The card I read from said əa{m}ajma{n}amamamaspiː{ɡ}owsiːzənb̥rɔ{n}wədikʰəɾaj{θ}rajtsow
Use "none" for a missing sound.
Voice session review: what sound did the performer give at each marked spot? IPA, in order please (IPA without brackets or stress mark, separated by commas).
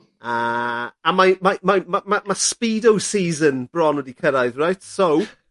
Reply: m, m, d, n, ð